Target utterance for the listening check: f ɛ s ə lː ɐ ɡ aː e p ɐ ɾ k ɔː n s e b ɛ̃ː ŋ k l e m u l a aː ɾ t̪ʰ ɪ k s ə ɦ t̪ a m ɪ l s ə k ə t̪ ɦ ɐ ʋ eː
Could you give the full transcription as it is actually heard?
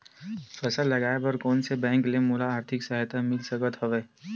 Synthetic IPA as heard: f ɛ s ə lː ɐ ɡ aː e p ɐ ɾ k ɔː n s e b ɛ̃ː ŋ k l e m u l a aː ɾ t̪ʰ ɪ k s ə ɦ t̪ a m ɪ l s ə k ə t̪ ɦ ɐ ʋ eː